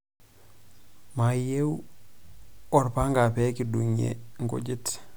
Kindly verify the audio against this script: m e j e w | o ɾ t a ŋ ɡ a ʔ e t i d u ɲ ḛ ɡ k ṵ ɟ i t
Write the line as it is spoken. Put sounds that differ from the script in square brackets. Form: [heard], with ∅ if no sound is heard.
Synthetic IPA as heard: m [a] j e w | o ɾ [p] a ŋ ɡ a [p] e [k] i d u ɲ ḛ [ŋ] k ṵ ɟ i t